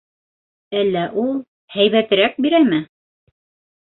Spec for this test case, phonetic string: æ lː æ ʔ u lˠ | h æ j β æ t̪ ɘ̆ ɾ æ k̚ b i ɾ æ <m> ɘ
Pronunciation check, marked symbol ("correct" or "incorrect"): correct